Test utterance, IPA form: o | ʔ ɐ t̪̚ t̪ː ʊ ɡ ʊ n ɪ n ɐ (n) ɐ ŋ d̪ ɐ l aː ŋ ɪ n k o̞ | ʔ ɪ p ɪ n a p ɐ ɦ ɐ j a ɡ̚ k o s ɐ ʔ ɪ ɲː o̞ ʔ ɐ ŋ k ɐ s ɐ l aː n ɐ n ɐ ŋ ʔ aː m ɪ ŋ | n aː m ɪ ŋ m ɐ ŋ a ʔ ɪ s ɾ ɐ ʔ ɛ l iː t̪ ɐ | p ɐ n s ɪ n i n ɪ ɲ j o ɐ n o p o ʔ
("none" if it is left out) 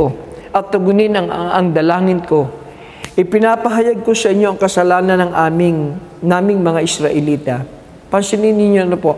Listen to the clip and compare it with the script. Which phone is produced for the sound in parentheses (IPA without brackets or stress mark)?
ŋ